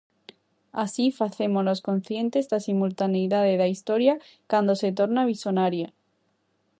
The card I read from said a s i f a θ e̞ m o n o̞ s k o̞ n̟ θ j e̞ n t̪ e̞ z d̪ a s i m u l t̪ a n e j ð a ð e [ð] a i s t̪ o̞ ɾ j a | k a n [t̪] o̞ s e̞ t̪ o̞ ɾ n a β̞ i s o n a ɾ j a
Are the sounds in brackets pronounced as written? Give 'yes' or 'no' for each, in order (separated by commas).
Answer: yes, no